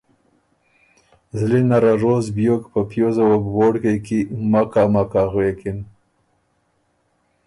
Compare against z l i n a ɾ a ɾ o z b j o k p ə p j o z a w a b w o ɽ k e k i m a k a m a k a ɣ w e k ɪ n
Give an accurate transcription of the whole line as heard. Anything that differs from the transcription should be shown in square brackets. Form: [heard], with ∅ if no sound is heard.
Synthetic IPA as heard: z l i n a ɾ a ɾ o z b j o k p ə p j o z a w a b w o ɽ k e k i m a k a m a k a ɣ w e k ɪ n

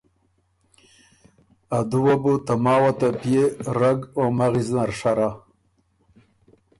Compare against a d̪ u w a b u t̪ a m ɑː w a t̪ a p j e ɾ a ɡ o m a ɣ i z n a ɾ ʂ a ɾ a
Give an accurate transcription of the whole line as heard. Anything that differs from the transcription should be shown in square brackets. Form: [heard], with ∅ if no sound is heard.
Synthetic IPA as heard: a d̪ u w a b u t̪ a m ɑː w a t̪ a p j e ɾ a ɡ o m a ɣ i z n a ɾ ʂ a ɾ a

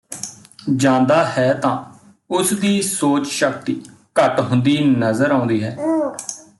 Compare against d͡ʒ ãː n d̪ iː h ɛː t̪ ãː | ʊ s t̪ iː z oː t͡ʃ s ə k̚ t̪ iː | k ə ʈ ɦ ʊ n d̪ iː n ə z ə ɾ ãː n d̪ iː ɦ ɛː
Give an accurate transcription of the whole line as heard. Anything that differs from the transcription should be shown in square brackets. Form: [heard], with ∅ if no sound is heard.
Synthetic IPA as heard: d͡ʒ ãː n d̪ [aː] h ɛː t̪ ãː | ʊ s [d̪] iː [s] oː t͡ʃ [ʃ] ə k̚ t̪ iː | k ə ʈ ɦ ʊ n d̪ iː n ə z ə ɾ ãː n d̪ iː ɦ ɛː

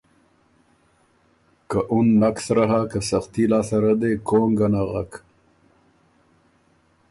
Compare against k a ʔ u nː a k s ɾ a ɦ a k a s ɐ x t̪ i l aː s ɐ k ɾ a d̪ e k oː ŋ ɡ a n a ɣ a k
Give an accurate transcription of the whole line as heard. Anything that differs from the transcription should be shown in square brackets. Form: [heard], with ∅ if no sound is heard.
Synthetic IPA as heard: k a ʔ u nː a k s ɾ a ɦ a k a s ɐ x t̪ i l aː s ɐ [∅] ɾ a d̪ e k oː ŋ ɡ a n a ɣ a k

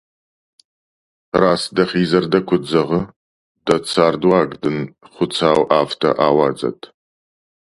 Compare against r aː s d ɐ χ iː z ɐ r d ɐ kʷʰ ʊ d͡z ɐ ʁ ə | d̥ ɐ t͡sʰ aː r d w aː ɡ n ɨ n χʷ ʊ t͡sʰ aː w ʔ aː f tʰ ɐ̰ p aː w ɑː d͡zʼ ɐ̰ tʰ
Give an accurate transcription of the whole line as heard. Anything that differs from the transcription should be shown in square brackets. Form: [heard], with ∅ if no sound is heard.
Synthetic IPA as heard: r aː s d ɐ χ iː z ɐ r d ɐ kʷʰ ʊ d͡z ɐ ʁ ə | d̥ ɐ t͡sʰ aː r d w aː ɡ [d] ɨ n χʷ ʊ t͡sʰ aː w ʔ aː f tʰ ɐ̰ [ʔ] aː w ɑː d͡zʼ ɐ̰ tʰ

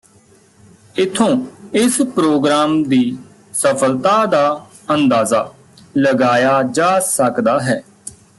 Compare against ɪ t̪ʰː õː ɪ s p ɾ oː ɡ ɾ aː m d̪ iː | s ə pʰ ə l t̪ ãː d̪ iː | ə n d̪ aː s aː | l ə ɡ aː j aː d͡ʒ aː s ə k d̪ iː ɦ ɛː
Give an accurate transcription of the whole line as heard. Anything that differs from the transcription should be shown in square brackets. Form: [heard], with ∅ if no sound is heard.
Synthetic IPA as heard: ɪ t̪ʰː õː ɪ s p ɾ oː ɡ ɾ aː m d̪ iː | s ə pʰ ə l t̪ [aː] d̪ [aː] | ə n d̪ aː [z] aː | l ə ɡ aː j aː d͡ʒ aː s ə k d̪ [aː] ɦ ɛː

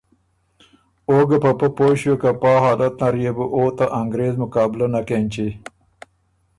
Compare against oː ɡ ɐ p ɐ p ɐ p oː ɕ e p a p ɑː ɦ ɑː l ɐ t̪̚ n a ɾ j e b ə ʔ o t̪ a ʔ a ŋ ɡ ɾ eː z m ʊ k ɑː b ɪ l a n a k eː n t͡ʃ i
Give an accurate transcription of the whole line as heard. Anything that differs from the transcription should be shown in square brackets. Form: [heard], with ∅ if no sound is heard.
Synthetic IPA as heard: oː ɡ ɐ p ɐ p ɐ p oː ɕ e [k] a p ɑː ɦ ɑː l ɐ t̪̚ n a ɾ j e b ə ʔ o t̪ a ʔ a ŋ ɡ ɾ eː z m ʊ k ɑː b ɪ l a n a k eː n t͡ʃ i

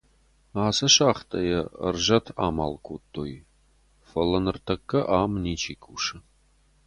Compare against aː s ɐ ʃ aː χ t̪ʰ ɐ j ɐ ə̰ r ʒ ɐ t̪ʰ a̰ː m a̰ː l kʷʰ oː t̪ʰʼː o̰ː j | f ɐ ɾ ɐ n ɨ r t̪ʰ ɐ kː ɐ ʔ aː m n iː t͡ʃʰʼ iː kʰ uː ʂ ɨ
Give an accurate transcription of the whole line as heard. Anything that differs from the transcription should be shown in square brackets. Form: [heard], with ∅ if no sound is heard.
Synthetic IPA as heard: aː s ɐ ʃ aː χ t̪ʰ ɐ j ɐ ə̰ r ʒ ɐ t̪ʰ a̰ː m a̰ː l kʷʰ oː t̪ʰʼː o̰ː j | f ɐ [l] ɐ n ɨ r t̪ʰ ɐ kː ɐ ʔ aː m n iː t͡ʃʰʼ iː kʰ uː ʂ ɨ

